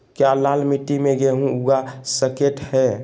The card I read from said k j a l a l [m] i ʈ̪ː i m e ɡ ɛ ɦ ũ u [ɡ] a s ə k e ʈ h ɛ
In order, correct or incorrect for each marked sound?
correct, correct

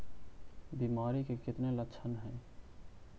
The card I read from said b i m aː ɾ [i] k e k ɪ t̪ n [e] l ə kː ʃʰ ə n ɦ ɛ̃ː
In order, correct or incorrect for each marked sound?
correct, correct

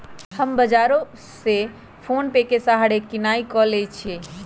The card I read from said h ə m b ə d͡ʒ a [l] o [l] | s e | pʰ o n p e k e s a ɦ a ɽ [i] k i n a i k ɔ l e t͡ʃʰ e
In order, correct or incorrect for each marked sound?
incorrect: ɾ, incorrect: none, incorrect: e

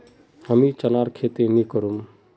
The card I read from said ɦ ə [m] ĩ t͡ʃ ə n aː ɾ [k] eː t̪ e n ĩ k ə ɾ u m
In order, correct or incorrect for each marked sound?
correct, incorrect: kʰ

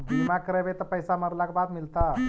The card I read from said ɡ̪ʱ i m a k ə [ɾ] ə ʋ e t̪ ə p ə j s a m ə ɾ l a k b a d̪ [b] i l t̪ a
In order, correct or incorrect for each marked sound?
correct, incorrect: m

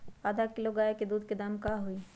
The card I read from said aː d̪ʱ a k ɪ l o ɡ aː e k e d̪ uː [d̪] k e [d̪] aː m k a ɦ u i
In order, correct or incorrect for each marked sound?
correct, correct

